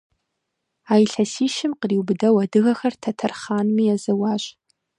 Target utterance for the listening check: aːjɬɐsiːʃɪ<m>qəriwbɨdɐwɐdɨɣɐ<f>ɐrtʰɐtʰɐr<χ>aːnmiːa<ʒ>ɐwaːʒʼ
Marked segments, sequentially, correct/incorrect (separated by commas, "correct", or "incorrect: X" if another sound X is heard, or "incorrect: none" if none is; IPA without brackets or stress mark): correct, incorrect: x, correct, incorrect: z